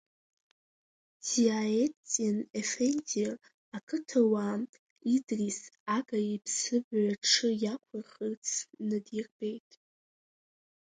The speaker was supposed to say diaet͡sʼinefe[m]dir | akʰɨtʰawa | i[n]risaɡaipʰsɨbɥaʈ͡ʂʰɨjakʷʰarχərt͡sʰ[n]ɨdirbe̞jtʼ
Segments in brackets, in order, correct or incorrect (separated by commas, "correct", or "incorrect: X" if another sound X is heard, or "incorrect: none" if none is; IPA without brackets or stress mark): incorrect: n, incorrect: d, correct